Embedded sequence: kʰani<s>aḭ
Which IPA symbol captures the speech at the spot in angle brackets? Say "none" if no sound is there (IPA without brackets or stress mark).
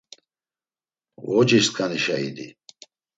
ʃ